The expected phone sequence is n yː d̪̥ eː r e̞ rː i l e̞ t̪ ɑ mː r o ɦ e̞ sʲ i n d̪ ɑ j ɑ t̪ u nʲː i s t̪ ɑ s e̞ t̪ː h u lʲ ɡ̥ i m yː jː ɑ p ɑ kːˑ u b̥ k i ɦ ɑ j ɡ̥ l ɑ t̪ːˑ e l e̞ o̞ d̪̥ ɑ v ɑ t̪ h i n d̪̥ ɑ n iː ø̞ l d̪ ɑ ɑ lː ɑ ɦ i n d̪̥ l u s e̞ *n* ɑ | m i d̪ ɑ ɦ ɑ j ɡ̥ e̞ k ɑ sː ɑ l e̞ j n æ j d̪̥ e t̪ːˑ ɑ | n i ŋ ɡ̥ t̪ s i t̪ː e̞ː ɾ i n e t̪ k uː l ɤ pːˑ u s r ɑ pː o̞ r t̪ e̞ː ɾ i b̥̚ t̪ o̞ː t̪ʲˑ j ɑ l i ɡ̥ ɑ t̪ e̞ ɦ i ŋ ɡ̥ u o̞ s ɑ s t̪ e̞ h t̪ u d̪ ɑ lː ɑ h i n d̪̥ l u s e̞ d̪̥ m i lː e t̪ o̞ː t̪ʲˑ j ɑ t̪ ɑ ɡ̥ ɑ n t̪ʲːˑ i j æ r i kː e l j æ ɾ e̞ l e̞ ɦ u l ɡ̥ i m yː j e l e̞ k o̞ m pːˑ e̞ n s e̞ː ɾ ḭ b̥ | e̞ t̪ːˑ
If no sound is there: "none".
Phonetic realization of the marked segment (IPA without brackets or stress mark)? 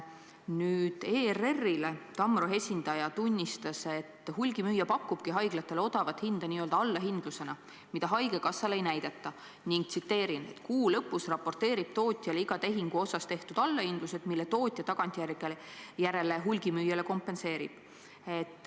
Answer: n